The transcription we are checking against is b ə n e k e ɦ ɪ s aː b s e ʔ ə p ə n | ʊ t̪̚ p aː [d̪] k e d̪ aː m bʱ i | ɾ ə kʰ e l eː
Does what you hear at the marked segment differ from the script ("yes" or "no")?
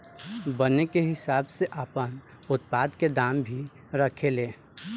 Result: no